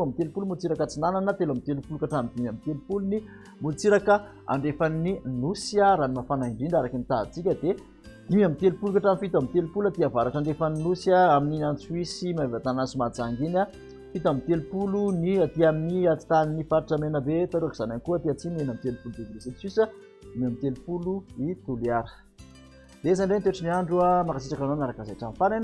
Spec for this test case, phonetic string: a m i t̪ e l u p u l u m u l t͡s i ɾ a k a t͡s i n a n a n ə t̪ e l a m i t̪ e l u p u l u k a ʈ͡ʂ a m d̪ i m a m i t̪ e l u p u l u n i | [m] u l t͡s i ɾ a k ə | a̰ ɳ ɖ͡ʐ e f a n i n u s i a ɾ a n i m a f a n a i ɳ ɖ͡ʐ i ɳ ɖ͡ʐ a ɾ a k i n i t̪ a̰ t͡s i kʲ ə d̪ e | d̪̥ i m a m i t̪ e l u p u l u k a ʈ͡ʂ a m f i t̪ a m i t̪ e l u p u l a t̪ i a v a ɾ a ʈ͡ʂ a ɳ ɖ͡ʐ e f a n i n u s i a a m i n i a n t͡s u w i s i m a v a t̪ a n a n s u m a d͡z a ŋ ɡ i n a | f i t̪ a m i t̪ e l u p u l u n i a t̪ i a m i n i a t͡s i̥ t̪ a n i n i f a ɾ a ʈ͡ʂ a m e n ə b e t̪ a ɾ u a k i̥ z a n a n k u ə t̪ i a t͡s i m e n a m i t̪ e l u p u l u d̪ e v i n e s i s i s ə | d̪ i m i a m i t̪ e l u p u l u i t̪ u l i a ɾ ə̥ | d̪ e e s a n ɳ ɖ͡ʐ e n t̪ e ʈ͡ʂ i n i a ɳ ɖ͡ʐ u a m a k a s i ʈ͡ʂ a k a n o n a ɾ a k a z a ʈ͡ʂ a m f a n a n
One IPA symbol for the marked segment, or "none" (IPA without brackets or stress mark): m